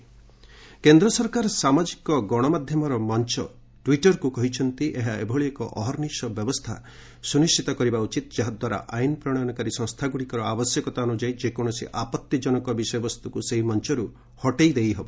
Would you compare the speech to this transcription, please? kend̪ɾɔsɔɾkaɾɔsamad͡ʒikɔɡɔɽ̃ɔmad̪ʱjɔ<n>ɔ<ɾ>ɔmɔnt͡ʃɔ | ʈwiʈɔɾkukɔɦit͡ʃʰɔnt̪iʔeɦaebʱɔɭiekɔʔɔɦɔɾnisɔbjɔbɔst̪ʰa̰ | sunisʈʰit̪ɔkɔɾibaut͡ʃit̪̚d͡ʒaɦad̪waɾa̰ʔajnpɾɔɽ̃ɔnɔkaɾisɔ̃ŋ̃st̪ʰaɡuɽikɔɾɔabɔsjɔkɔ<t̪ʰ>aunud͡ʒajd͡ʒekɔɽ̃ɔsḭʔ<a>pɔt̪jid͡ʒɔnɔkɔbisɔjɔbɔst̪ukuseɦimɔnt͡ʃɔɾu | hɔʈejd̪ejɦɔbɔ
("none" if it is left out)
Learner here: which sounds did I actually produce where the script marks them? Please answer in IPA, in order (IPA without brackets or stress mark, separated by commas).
m, ɾ, t̪, a